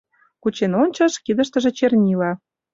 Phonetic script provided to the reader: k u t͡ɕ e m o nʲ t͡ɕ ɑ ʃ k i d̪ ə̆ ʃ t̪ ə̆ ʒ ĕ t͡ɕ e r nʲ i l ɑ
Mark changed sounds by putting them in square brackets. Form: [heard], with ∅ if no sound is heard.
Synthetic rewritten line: k u t͡ɕ e [n] o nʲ t͡ɕ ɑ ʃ k i d̪ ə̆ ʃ t̪ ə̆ ʒ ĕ t͡ɕ e r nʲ i l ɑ

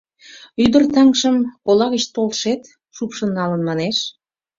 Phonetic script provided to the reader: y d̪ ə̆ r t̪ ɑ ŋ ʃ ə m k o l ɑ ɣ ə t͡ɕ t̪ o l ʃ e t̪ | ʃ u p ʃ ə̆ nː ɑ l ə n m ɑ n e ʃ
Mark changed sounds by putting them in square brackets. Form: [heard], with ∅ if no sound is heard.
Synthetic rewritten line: y d̪ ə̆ r t̪ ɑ ŋ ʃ ə m k o l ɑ ɣ ə t͡ɕ t̪ o l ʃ e t̪ | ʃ u p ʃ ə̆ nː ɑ l ə n m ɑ n e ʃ

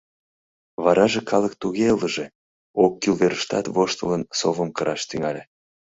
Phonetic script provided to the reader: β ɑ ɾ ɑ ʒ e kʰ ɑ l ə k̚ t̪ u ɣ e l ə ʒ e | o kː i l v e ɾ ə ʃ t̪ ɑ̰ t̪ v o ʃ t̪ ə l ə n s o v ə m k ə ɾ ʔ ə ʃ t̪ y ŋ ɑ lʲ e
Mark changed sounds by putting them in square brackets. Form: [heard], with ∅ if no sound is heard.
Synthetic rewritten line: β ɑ ɾ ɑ ʒ e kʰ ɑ l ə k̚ t̪ u ɣ e l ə ʒ e | o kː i l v e ɾ ə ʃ t̪ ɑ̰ t̪ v o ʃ t̪ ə l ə n s o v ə m k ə ɾ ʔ [ɑ] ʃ t̪ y ŋ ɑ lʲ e

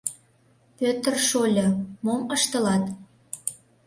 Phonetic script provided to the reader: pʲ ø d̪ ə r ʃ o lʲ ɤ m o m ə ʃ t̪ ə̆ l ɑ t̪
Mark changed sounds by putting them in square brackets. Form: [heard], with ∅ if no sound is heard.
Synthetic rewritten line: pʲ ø [t̪] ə r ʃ o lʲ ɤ m o m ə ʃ t̪ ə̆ l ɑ t̪

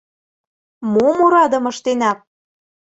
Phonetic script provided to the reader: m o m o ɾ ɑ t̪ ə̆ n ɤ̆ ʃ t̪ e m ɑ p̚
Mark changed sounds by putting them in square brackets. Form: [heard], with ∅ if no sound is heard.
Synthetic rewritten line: m o m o ɾ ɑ [d̪] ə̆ [m] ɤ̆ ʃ t̪ e [n] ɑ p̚

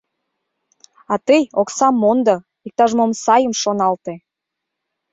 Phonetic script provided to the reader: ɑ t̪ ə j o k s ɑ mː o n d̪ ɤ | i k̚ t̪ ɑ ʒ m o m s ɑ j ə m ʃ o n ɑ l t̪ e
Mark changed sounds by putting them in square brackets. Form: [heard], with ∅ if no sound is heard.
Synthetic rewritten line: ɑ t̪ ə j o k s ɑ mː o n d̪ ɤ | i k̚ t̪ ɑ ʒ m o m s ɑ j ə m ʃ o n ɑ l t̪ e

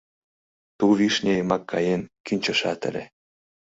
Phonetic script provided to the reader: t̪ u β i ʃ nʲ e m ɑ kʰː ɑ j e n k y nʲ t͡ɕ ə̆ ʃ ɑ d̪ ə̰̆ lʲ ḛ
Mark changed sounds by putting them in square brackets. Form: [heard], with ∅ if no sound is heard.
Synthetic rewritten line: t̪ u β i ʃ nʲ e m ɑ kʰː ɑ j e n k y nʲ t͡ɕ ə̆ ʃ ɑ [t̪] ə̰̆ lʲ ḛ

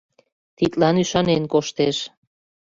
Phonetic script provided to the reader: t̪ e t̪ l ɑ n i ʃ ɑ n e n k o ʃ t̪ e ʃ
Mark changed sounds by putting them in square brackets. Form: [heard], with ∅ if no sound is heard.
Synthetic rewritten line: t̪ [i] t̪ l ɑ n [y] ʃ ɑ n e n k o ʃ t̪ e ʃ

